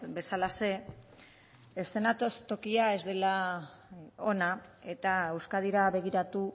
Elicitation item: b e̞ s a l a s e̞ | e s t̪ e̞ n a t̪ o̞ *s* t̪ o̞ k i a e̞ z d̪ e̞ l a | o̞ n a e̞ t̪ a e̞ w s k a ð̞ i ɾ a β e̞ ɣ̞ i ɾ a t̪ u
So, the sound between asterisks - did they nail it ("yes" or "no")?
yes